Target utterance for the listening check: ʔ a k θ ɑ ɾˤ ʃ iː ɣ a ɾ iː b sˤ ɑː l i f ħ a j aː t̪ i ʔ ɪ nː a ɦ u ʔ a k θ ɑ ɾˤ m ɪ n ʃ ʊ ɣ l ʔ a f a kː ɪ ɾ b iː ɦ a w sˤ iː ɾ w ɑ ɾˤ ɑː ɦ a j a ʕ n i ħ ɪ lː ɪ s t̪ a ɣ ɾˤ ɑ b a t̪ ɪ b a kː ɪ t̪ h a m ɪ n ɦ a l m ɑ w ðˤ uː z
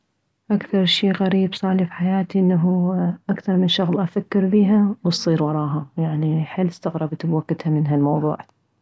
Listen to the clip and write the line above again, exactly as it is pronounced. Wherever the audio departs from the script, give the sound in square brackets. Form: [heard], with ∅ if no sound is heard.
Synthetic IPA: ʔ a k θ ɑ ɾˤ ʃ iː ɣ a ɾ iː b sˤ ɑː l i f ħ a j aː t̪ i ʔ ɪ nː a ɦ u ʔ a k θ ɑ ɾˤ m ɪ n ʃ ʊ ɣ l ʔ a f a kː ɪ ɾ b iː ɦ a w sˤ iː ɾ w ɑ ɾˤ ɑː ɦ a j a ʕ n i ħ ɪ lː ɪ s t̪ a ɣ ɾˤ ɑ b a t̪ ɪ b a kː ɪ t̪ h a m ɪ n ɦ a l m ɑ w ðˤ uː [ʕ]